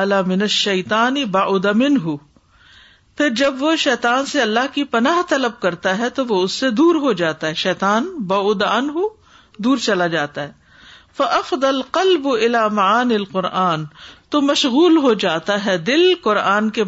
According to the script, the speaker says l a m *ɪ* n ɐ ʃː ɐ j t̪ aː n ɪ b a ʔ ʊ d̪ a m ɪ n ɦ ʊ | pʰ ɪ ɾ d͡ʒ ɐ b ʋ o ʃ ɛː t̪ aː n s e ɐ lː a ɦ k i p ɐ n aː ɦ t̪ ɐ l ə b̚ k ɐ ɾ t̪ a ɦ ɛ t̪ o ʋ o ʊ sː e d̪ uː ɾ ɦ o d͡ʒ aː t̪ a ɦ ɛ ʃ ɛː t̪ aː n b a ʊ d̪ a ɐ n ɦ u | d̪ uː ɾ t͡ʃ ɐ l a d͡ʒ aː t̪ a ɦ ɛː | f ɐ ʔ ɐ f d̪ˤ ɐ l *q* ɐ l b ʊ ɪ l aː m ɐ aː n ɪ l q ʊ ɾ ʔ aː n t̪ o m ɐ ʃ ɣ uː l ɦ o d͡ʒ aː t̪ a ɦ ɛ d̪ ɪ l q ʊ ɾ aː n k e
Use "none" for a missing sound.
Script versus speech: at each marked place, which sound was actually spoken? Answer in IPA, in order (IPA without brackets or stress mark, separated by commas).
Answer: ɪ, q